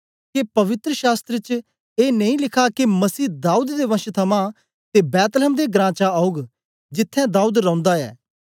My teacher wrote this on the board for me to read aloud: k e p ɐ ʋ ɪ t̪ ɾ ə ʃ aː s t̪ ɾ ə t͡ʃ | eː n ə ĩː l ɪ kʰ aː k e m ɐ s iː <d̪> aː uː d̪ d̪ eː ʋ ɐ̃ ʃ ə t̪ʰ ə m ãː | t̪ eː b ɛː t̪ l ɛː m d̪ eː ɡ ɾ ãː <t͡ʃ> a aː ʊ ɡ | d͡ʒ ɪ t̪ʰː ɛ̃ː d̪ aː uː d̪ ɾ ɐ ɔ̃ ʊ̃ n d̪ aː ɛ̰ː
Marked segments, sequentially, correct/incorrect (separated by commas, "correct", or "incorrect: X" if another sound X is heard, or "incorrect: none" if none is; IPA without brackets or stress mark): correct, correct